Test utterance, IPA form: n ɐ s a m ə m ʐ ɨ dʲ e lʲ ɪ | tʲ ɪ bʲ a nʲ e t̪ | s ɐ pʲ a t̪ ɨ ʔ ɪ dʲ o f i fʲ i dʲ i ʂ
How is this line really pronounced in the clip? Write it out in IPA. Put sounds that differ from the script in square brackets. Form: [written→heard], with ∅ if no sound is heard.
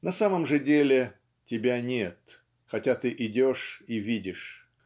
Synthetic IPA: n ɐ s a m ə m ʐ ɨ dʲ e lʲ ɪ | tʲ ɪ bʲ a nʲ e t̪ | [s→x] ɐ [pʲ→tʲ] a t̪ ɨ ʔ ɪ dʲ o [f→ʂ] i [fʲ→vʲ] i dʲ [i→ɪ] ʂ